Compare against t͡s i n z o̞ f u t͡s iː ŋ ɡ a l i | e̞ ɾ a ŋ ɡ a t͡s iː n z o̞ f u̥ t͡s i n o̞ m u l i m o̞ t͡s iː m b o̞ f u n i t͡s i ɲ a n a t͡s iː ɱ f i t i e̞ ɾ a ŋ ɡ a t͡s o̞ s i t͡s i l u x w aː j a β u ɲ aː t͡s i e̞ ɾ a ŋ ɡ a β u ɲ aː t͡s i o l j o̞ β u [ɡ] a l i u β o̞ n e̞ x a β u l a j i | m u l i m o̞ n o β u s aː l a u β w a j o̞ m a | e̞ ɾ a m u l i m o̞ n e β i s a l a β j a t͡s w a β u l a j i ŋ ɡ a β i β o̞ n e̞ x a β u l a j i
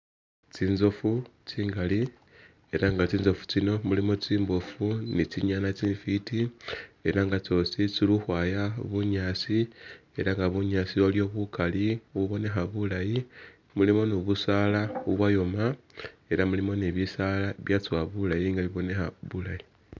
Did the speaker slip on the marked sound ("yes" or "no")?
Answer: yes